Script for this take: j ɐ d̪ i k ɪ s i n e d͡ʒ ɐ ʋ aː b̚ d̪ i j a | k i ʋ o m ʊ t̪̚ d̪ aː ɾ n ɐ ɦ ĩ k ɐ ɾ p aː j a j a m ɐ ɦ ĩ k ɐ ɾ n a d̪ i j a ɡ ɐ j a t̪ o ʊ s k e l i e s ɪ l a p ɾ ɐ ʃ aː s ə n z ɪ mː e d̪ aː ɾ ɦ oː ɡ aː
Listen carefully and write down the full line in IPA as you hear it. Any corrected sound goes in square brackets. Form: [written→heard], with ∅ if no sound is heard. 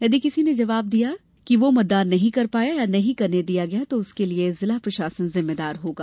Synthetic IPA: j ɐ d̪ i k ɪ s i n e d͡ʒ ɐ ʋ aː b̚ d̪ i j a | k i ʋ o m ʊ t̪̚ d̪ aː ɾ n ɐ ɦ ĩ k ɐ ɾ p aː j a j a [m→n] ɐ ɦ ĩ k ɐ ɾ n [a→e] d̪ i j a ɡ ɐ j a t̪ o ʊ s k e l i e [s→z] ɪ l a p ɾ ɐ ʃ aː s ə n z ɪ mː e d̪ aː ɾ ɦ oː ɡ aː

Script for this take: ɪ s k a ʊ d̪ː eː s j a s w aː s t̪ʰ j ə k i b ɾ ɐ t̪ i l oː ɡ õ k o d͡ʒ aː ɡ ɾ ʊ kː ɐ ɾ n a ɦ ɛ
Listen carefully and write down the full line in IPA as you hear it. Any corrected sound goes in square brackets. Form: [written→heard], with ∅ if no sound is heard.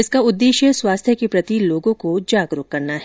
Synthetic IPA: ɪ s k a ʊ d̪ː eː [s→ʃ] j [a→ə] s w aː s t̪ʰ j ə k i [b→p] ɾ ɐ t̪ i l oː ɡ õ k o d͡ʒ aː ɡ ɾ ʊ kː ɐ ɾ n a ɦ ɛ

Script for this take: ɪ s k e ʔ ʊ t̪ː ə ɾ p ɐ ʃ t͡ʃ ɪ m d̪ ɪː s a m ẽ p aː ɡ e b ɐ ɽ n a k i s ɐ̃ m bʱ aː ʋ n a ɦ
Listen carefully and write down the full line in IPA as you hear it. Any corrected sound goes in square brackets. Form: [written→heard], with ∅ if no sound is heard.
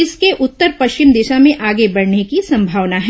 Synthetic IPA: ɪ s k e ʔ ʊ t̪ː ə ɾ p ɐ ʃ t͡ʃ ɪ m d̪ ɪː [s→ʃ] a m ẽ [p→ʔ] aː ɡ e b ɐ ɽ n [a→e] k i s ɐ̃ m bʱ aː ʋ n a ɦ

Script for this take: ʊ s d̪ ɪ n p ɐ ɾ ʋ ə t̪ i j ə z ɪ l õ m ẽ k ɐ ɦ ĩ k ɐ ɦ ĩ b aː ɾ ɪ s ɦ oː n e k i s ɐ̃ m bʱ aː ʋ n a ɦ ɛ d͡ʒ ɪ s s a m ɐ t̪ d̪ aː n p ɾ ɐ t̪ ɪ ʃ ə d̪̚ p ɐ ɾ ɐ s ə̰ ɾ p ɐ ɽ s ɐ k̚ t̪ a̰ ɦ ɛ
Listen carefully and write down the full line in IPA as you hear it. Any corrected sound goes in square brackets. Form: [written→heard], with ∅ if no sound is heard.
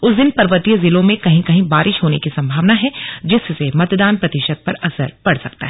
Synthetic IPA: ʊ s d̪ ɪ n p ɐ ɾ ʋ ə t̪ i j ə z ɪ l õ m ẽ k ɐ ɦ ĩ k ɐ ɦ ĩ b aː ɾ ɪ [s→ʃ] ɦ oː n e k i s ɐ̃ m bʱ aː ʋ n a ɦ ɛ d͡ʒ ɪ s s [a→e] m ɐ t̪ d̪ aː n p ɾ ɐ t̪ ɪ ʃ ə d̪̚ p ɐ ɾ ɐ s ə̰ ɾ p ɐ ɽ s ɐ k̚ t̪ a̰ ɦ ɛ

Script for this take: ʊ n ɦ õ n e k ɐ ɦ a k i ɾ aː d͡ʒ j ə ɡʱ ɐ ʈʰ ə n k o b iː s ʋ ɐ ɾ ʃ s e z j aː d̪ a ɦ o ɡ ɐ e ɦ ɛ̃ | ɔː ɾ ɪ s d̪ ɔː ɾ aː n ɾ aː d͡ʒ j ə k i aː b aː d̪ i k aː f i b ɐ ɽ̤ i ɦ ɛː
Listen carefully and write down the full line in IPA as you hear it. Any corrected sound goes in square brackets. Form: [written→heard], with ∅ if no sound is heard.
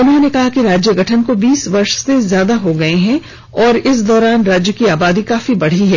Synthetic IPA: ʊ n ɦ õ n e k ɐ ɦ a k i ɾ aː d͡ʒ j ə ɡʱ ɐ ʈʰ ə n k o b iː s ʋ ɐ ɾ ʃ s e z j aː d̪ a ɦ o ɡ ɐ e ɦ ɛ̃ | ɔː ɾ ɪ s d̪ ɔː ɾ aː n ɾ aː d͡ʒ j ə k i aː b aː d̪ i k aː f i b ɐ ɽ̤ i ɦ ɛː

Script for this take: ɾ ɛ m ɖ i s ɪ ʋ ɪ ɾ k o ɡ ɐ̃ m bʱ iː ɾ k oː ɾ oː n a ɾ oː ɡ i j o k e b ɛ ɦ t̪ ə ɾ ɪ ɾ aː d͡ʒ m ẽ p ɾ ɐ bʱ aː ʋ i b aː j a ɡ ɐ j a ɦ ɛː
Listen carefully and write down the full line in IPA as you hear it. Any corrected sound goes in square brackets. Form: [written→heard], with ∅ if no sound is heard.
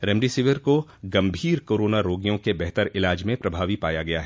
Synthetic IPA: ɾ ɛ m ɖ i s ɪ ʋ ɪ ɾ k o ɡ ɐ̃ m bʱ iː ɾ k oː ɾ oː n a ɾ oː ɡ i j [o→õ] k e b ɛ ɦ t̪ ə ɾ ɪ [ɾ→l] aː d͡ʒ m ẽ p ɾ ɐ bʱ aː ʋ i [b→p] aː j a ɡ ɐ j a ɦ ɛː

